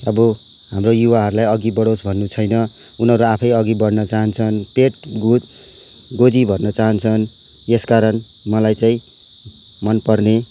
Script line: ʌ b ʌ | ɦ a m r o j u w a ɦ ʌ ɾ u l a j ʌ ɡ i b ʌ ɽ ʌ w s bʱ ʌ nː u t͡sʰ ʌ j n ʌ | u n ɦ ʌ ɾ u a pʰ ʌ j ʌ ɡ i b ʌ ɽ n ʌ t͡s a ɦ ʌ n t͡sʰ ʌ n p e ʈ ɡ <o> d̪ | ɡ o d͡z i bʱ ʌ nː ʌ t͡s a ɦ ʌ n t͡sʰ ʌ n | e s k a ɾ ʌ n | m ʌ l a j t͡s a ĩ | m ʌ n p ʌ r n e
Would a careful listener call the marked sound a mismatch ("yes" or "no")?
yes